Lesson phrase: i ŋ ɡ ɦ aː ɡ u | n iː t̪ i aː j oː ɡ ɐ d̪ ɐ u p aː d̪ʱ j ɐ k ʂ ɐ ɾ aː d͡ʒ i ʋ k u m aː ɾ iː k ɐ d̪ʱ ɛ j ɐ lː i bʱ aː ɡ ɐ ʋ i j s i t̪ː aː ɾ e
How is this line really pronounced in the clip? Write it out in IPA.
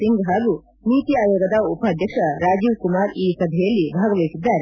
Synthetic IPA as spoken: i ŋ ɡ ɦ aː ɡ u | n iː t̪ i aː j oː ɡ ɐ d̪ ɐ u p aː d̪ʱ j ɐ k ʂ ɐ ɾ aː d͡ʒ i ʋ k u m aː ɾ iː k ɐ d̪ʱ ɛ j ɐ lː i bʱ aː ɡ ɐ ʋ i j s i d̪ː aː ɾ e